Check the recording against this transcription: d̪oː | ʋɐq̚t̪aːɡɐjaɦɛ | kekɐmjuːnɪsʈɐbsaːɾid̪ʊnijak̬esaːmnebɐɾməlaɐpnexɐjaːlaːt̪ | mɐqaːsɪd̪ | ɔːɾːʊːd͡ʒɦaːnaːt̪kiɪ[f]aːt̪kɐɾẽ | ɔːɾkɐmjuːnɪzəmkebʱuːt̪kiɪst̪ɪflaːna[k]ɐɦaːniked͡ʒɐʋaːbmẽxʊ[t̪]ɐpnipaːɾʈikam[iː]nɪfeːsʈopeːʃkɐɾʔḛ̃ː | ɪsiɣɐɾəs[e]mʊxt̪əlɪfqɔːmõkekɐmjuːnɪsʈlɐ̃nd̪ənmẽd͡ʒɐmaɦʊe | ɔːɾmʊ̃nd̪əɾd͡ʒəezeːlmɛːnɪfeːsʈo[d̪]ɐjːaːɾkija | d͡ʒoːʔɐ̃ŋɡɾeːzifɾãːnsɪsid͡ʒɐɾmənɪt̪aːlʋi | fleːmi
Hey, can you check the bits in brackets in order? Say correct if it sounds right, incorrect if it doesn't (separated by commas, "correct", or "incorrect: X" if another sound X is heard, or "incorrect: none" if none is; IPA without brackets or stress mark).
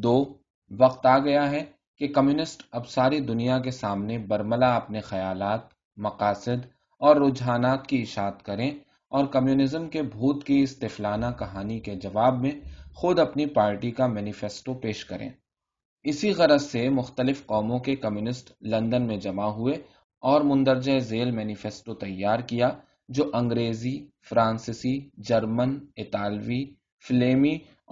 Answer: incorrect: ʃ, correct, incorrect: d̪, incorrect: ɛː, correct, incorrect: t̪